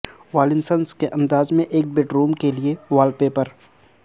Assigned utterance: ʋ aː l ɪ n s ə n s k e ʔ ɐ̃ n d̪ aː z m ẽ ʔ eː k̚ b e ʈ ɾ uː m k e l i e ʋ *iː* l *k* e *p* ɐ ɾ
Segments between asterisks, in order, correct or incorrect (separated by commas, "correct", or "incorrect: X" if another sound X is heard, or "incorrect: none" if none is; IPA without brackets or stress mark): incorrect: aː, incorrect: p, correct